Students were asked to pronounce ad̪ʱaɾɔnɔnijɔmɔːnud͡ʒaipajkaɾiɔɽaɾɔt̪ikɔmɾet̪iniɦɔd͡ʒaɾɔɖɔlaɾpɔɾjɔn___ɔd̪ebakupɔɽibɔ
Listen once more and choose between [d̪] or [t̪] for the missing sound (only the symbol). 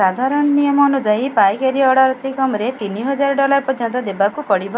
t̪